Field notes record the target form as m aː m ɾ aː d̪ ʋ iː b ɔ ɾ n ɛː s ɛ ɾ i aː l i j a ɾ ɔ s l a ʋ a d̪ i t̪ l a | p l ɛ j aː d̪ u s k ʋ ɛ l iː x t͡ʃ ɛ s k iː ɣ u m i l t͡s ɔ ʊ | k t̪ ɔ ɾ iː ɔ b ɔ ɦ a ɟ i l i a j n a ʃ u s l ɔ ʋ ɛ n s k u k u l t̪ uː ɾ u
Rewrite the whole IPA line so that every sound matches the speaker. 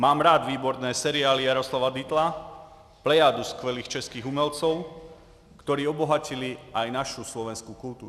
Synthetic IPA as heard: m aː m ɾ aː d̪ ʋ iː b ɔ ɾ n ɛː s ɛ ɾ i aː l i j a ɾ ɔ s l a ʋ a d̪ i t̪ l a | p l ɛ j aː d̪ u s k ʋ ɛ l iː x t͡ʃ ɛ s k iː ɣ u m ɛ l t͡s ɔ ʊ | k t̪ ɔ ɾ iː ɔ b ɔ ɦ a c i l i a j n a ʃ u s l ɔ ʋ ɛ n s k u k u l t̪ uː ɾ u